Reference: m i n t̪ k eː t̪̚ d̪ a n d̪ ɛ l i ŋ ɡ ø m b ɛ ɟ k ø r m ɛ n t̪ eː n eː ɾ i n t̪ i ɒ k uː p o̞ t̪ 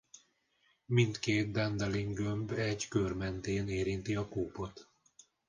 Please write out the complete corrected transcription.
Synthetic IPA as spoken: m i n t̪ k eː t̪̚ d̪ ɛ n d̪ ɛ l i ŋ ɡ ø m b ɛ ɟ k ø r m ɛ n t̪ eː n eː ɾ i n t̪ i ɒ k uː p o̞ t̪